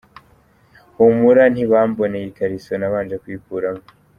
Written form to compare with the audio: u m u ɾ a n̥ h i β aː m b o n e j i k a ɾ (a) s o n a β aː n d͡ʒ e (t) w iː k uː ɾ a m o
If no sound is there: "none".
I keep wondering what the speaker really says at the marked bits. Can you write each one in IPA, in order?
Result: i, k

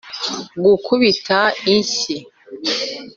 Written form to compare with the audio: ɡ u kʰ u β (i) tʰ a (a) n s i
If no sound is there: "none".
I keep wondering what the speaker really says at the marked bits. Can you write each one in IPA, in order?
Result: i, i

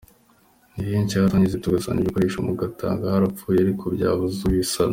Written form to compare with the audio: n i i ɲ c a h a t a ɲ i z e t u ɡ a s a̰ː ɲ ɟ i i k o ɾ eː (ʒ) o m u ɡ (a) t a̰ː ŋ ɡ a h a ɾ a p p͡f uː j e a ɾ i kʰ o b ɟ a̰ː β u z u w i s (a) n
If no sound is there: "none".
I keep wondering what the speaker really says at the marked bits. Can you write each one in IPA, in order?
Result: ʃ, a, a

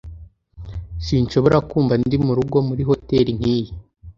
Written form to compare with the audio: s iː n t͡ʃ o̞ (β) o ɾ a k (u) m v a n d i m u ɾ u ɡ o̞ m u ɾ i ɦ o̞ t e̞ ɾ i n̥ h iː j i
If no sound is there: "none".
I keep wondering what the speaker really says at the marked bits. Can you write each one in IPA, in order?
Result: β, uː

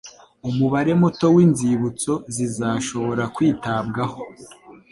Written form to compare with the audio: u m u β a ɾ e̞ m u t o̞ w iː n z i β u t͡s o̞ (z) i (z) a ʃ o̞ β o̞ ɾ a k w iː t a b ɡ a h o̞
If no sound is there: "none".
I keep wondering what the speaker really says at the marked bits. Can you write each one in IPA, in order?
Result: z, z

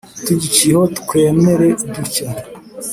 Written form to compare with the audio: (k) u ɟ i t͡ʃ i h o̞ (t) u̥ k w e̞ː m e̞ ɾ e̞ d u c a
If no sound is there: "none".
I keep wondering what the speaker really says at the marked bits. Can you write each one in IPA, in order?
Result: t, t

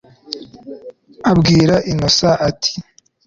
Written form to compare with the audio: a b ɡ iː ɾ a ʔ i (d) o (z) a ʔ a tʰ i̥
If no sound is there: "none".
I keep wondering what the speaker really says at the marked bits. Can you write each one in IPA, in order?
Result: n, s

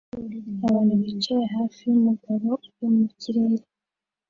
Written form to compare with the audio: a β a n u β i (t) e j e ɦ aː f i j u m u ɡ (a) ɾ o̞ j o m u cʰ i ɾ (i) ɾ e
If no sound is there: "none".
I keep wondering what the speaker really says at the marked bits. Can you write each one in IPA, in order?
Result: t͡ʃ, a, e

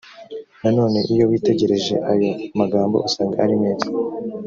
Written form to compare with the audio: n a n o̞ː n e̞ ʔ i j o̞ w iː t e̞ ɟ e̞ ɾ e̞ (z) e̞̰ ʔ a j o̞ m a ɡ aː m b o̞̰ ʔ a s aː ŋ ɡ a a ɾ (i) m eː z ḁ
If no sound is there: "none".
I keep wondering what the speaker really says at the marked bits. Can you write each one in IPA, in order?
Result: ʒ, i

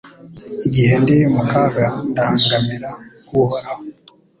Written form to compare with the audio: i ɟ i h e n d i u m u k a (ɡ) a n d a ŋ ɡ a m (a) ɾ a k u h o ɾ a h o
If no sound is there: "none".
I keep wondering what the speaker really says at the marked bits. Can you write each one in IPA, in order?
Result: ɡ, i

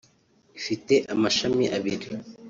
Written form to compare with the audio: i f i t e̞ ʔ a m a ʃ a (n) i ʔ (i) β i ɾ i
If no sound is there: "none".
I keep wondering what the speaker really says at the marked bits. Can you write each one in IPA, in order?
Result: m, a

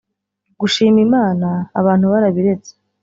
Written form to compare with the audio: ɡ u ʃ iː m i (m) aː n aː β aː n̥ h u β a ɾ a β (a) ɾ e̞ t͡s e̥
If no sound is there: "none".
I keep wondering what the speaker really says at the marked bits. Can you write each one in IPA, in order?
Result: m, i

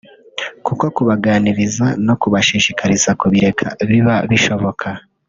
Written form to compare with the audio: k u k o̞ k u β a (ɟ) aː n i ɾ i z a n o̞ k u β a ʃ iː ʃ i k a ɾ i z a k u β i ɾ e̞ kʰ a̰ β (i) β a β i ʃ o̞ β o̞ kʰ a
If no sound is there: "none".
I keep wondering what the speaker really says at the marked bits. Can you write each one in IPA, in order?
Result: ɡ, i

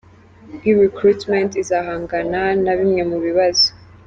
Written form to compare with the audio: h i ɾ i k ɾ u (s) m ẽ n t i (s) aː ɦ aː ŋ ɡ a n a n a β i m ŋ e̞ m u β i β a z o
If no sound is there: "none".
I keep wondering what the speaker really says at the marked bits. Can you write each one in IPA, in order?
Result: t, z

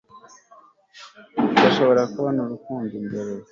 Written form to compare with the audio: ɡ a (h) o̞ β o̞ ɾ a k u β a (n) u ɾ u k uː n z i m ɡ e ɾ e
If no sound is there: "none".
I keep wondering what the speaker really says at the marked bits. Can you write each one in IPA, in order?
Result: ʃ, n

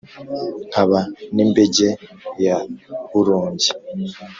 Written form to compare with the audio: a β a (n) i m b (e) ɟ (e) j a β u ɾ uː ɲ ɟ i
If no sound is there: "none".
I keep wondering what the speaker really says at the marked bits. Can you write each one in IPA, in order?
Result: n, e, e

